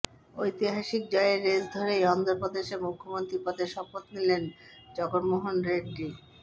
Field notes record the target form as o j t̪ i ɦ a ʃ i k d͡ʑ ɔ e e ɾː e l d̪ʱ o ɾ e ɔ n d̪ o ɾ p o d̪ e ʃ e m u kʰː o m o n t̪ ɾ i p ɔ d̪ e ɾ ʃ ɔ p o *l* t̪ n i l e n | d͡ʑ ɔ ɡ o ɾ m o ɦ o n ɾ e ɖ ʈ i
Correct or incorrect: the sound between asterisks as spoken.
incorrect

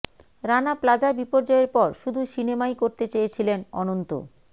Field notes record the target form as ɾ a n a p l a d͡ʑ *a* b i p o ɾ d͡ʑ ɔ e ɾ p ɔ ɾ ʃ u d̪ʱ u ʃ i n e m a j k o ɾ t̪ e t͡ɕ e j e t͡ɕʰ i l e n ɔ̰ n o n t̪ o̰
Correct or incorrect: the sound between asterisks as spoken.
correct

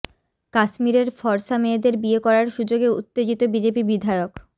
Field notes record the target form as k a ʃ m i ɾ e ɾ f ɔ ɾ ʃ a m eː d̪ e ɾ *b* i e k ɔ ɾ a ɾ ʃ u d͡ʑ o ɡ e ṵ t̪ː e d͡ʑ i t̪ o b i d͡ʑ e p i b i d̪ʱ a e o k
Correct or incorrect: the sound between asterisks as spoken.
correct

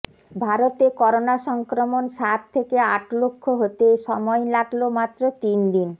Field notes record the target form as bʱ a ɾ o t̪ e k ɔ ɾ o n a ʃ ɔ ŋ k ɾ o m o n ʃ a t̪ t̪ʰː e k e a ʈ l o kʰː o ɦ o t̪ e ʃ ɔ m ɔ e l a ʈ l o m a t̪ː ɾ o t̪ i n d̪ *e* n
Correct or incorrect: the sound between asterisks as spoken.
incorrect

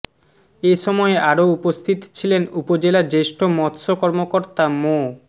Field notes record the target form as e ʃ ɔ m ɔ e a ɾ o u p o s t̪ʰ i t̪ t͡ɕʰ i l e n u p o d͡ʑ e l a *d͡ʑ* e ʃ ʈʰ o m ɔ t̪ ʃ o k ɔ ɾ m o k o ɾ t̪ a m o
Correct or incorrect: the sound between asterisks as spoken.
correct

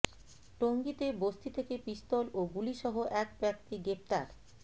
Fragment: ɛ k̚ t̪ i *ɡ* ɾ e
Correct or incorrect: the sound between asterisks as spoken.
correct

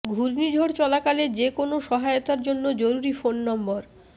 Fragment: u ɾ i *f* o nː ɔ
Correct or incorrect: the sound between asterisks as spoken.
correct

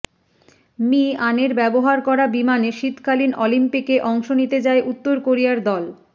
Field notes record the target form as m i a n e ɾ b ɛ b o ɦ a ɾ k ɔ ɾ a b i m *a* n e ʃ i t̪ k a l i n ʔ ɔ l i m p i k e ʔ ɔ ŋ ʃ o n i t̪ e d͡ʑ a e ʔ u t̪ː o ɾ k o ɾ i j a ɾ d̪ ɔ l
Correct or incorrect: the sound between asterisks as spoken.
correct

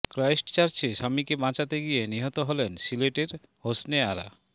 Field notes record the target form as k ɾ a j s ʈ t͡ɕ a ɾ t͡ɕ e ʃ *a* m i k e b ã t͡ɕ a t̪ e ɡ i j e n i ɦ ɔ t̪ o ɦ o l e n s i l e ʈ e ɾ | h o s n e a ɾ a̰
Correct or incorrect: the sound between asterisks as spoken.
correct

